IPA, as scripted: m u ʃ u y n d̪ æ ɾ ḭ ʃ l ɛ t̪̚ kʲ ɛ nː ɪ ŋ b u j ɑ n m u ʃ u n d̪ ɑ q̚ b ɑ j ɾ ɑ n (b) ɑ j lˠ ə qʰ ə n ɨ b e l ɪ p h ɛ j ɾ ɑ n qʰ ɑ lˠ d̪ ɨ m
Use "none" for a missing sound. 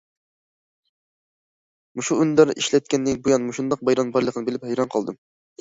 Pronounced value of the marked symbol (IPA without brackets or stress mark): b